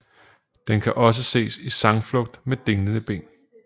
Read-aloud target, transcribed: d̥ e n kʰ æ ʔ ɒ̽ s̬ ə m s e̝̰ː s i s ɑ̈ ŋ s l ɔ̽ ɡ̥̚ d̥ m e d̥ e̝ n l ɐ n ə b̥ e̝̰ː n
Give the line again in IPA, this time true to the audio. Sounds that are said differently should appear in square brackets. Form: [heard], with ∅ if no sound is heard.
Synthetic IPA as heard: d̥ e n kʰ æ ʔ ɒ̽ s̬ ə [∅] s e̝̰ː s i s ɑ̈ ŋ [f] l ɔ̽ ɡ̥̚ d̥ m e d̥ e̝ [ŋ] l [ə] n ə b̥ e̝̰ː n